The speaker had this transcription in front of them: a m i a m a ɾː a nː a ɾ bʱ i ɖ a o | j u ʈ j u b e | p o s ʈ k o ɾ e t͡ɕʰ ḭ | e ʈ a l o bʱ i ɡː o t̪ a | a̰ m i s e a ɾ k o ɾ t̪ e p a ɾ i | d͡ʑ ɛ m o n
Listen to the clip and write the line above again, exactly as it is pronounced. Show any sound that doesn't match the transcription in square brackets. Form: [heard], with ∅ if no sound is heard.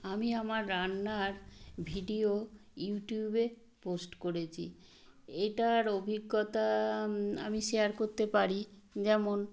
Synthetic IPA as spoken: a m i a m a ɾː a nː a ɾ bʱ i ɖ [i] o | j u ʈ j u b e | p o s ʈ k o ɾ e t͡ɕʰ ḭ | e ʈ a [ɾ] o bʱ i ɡː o t̪ a | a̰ m i [ʃ] e a ɾ k o ɾ t̪ e p a ɾ i | d͡ʑ ɛ m o n